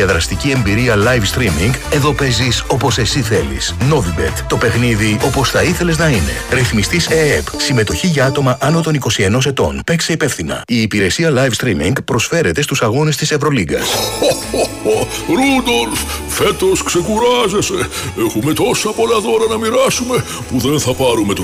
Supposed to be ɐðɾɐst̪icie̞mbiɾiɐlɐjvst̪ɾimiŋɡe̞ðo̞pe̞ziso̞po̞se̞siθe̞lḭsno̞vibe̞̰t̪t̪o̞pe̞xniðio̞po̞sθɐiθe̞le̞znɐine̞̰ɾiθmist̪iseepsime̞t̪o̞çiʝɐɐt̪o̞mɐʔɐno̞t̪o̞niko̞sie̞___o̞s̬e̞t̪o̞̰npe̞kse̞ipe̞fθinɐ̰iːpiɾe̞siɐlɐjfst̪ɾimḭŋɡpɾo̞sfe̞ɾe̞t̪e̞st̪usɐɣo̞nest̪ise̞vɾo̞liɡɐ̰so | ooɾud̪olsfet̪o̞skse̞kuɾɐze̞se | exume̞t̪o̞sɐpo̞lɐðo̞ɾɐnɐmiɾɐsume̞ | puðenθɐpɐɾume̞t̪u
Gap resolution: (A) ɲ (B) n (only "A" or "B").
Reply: B